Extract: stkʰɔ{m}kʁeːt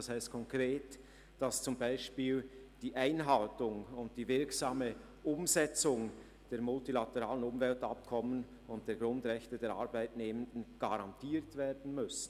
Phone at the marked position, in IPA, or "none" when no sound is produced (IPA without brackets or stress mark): ŋ